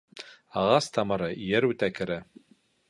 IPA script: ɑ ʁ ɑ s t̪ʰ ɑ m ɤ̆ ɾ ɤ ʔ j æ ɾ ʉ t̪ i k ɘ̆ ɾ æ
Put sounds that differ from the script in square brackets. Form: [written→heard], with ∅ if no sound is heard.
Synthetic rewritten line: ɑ ʁ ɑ s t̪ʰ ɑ m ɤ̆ ɾ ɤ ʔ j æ ɾ ʉ t̪ [i→æ] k ɘ̆ ɾ æ

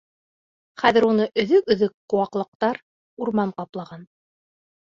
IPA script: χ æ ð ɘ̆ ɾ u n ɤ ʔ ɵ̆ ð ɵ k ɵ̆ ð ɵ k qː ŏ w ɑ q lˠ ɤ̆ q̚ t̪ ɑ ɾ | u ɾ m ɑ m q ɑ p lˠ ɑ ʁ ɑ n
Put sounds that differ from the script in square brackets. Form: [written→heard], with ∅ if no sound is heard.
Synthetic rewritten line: χ æ ð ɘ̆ ɾ u n ɤ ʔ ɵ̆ ð ɵ k ɵ̆ ð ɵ k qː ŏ w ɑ q lˠ ɤ̆ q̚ t̪ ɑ ɾ | u ɾ m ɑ [m→ɴ] q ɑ p lˠ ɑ ʁ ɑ n

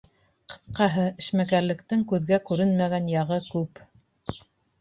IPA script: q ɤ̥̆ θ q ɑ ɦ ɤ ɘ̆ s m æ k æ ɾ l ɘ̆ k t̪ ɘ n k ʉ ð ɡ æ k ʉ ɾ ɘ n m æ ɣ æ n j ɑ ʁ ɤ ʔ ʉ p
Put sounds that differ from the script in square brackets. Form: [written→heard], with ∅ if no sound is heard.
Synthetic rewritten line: q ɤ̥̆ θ q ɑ ɦ ɤ ɘ̆ [s→ʃ] m æ k æ ɾ l ɘ̆ k t̪ ɘ [n→ŋ] k ʉ ð ɡ æ k ʉ ɾ ɘ n m æ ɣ æ n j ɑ ʁ ɤ [ʔ→k] ʉ p

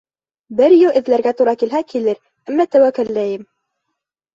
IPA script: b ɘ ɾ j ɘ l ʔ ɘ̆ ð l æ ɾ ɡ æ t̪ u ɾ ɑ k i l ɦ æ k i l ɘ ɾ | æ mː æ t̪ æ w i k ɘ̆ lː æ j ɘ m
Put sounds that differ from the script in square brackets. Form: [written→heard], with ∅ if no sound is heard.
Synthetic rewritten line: b ɘ ɾ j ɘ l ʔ ɘ̆ ð l æ ɾ ɡ æ t̪ u ɾ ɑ k i l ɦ æ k i l ɘ ɾ | æ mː æ t̪ æ w [i→æ] k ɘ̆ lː æ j ɘ m

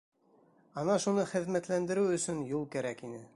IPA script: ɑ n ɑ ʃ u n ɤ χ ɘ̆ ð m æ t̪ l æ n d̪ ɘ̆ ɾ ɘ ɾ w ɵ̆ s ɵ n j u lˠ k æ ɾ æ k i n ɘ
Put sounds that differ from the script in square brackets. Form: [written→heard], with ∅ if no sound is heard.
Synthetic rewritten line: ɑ n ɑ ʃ u n ɤ χ ɘ̆ ð m æ t̪ l æ n d̪ ɘ̆ ɾ ɘ [ɾ→∅] w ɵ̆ s ɵ n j u lˠ k æ ɾ æ k i n ɘ

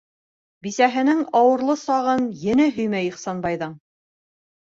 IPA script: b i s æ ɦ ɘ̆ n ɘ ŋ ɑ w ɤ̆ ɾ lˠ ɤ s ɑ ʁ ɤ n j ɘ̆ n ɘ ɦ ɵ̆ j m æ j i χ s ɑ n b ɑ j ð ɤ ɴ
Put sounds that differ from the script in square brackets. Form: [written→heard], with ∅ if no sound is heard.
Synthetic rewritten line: b i s æ ɦ ɘ̆ n ɘ ŋ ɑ w ɤ̆ ɾ lˠ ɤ s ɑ ʁ ɤ n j ɘ̆ n ɘ ɦ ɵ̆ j m æ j i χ s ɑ n b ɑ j ð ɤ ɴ

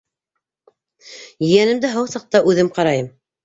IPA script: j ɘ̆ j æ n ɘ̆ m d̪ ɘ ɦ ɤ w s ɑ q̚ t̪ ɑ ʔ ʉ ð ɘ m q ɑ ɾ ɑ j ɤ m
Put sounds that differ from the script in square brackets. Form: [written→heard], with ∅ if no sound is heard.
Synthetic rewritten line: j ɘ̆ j æ n ɘ̆ m d̪ ɘ ɦ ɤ w s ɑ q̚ t̪ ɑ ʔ ʉ ð ɘ m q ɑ ɾ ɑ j ɤ m

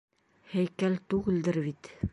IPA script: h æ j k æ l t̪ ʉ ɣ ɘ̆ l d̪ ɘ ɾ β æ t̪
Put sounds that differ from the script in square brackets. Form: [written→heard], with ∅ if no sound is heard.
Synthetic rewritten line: h æ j k æ l t̪ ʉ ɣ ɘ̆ l d̪ ɘ ɾ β [æ→i] t̪

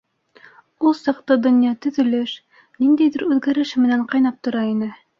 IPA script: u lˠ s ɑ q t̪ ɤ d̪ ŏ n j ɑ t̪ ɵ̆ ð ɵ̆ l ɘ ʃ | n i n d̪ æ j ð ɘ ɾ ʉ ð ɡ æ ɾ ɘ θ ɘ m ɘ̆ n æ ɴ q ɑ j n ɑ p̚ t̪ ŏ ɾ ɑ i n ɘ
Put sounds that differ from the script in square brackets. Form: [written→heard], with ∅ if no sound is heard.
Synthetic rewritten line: u lˠ s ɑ q t̪ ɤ d̪ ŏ n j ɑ t̪ ɵ̆ ð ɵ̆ l ɘ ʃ | n i n d̪ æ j ð ɘ ɾ ʉ ð ɡ æ ɾ ɘ [θ→ʃ] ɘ m ɘ̆ n æ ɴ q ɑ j n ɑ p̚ t̪ ŏ ɾ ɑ i n ɘ

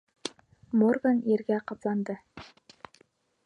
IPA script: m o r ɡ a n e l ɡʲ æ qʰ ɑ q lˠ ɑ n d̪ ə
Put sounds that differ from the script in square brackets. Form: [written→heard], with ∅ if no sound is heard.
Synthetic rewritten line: m o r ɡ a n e [l→ɾ] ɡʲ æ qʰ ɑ [q→p] lˠ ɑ n d̪ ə

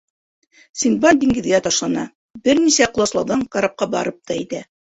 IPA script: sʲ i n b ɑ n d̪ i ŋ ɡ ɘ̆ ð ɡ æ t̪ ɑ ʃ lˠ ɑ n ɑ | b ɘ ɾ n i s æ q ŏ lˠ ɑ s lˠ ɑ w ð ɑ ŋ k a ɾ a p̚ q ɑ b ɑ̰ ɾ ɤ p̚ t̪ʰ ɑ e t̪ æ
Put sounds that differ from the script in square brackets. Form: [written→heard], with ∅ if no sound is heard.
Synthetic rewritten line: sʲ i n b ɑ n d̪ i ŋ ɡ ɘ̆ ð ɡ æ t̪ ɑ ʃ lˠ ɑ n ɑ | b ɘ ɾ n i s æ q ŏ lˠ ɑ s lˠ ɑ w ð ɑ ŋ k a ɾ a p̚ q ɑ b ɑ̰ ɾ ɤ p̚ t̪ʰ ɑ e t̪ æ

